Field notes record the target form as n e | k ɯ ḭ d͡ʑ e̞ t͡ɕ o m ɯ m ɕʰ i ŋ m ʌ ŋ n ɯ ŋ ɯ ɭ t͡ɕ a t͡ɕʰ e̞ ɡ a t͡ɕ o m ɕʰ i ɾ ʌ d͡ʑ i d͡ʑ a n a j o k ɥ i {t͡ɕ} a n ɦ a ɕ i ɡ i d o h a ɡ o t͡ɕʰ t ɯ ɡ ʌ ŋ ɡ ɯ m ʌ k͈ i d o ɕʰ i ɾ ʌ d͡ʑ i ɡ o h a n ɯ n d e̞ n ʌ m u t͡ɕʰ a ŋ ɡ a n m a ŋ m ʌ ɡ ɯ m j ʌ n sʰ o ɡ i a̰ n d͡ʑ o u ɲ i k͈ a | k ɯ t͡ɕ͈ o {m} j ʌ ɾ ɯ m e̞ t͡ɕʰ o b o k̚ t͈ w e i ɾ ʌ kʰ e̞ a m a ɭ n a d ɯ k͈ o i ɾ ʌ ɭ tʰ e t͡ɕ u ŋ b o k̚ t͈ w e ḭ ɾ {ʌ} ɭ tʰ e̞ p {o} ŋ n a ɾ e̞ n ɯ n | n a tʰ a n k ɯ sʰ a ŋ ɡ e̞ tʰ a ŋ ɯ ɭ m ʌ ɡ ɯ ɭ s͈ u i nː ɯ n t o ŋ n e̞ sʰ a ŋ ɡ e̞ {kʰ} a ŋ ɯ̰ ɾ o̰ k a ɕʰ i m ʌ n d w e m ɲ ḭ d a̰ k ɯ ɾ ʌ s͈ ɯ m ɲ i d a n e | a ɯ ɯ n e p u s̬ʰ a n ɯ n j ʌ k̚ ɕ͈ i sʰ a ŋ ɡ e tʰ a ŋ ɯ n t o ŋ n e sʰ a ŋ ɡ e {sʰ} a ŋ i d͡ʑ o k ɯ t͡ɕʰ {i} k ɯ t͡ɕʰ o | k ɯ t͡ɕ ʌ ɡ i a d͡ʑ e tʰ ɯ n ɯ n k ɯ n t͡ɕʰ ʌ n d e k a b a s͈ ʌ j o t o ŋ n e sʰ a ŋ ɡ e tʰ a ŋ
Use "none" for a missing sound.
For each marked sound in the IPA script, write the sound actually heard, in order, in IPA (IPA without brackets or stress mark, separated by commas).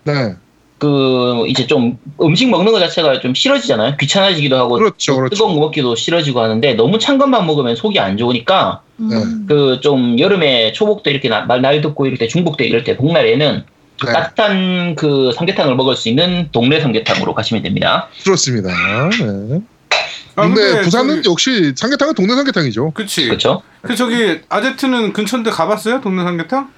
t͡ɕʰ, m, ʌ, o, tʰ, tʰ, i